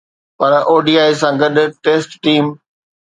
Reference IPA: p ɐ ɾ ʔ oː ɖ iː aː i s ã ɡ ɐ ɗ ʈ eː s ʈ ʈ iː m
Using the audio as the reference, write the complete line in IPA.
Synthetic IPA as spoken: p ɐ ɾ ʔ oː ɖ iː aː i s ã ɡ ɐ ɗ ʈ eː s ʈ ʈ iː m